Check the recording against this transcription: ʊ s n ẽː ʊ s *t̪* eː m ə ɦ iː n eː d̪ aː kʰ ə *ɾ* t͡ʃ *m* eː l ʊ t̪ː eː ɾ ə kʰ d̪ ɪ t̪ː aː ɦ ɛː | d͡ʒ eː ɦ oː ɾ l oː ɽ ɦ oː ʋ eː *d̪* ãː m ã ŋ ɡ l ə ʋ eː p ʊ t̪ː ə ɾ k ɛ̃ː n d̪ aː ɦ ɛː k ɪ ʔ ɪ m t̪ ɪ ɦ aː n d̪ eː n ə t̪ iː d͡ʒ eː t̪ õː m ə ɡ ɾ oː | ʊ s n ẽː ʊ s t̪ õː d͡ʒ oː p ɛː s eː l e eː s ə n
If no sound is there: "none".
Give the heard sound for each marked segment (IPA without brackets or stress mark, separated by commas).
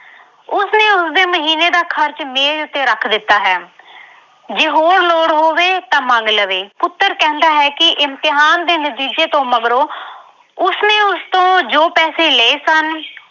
d̪, ɾ, m, t̪